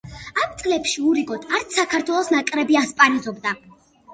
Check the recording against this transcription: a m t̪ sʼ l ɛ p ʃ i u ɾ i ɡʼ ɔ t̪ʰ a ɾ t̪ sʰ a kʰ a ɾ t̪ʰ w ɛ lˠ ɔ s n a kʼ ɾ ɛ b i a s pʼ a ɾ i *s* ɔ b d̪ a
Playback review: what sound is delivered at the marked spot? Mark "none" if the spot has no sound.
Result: z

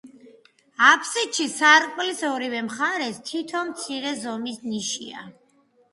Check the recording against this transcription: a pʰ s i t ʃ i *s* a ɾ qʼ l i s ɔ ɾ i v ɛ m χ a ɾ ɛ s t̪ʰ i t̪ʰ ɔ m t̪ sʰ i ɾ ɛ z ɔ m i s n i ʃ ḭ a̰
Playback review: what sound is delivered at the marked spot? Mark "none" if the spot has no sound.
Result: s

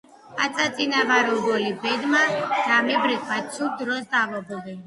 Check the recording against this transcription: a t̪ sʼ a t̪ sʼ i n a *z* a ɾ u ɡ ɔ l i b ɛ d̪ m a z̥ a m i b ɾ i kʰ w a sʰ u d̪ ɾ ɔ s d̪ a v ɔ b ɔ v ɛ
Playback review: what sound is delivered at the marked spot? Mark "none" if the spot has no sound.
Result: v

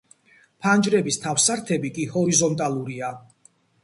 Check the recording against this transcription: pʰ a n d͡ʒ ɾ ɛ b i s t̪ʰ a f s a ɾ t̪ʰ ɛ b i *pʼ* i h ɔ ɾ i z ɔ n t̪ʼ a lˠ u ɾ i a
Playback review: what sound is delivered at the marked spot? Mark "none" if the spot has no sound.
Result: kʼ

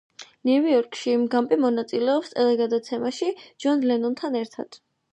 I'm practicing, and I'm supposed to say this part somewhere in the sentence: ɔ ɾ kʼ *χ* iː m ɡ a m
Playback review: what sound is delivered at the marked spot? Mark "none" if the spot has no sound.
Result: ʃ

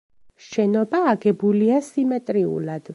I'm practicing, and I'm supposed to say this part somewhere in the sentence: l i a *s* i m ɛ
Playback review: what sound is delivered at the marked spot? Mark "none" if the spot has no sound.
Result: s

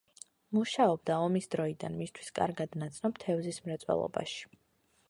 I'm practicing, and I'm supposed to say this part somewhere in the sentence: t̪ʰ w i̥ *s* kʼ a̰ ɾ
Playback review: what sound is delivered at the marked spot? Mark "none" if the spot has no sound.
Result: s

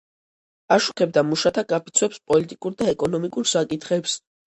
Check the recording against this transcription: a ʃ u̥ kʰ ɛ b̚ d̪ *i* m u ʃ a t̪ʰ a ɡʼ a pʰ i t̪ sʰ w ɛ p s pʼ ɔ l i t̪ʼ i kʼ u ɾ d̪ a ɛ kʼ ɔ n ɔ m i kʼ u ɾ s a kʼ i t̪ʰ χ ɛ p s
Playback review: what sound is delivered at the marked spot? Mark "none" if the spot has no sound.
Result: a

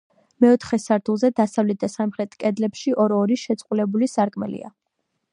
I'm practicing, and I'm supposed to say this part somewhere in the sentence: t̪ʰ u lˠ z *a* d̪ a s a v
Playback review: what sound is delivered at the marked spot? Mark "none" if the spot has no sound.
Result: ɛ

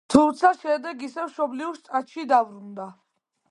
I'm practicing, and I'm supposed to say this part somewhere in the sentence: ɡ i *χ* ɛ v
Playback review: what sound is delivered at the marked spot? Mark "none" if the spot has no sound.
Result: s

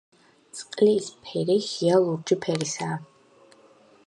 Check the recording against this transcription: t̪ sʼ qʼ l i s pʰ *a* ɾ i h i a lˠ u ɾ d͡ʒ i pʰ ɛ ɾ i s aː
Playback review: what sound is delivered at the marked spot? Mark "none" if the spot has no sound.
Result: ɛ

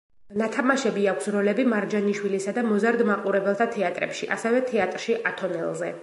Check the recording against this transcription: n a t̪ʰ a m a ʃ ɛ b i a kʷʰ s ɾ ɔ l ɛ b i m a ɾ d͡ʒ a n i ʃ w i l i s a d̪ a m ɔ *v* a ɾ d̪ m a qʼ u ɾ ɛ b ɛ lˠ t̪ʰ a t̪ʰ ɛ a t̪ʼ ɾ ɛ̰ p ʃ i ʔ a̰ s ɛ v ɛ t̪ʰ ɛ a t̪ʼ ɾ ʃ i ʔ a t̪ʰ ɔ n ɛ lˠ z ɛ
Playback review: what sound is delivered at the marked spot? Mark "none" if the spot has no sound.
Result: z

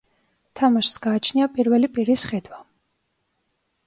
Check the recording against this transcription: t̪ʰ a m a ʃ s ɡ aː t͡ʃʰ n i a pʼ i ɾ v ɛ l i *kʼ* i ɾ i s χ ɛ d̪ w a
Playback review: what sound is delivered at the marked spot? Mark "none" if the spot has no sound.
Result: pʼ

